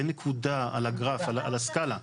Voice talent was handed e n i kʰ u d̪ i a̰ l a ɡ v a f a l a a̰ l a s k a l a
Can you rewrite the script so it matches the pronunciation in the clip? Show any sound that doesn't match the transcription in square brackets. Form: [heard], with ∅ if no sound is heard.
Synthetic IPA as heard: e n [e] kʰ u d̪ [a] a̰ l a ɡ [ʁ] a f a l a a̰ l a s k a l a